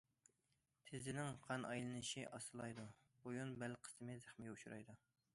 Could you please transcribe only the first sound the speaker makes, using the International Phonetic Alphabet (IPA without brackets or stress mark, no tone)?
t̪ʰ